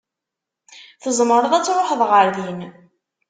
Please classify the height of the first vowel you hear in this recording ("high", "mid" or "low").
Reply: mid